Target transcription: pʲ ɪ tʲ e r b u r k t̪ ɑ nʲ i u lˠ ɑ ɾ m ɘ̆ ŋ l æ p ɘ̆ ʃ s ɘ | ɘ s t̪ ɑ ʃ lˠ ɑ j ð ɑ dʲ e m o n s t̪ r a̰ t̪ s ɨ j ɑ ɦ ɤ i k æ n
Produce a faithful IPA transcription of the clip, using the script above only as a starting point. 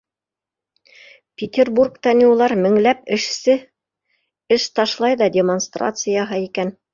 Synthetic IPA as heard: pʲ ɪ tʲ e r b u r k t̪ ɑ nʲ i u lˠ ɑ ɾ m ɘ̆ ŋ l æ p ɘ̆ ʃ s ɘ | ɘ ʃ t̪ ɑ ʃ lˠ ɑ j ð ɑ dʲ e m o n s t̪ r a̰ t̪ s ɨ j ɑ ɦ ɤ i k æ n